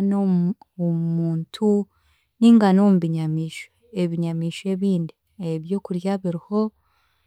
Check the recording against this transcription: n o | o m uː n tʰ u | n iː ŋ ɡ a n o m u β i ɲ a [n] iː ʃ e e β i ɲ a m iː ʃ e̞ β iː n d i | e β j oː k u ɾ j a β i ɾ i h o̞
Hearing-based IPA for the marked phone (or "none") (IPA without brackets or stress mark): m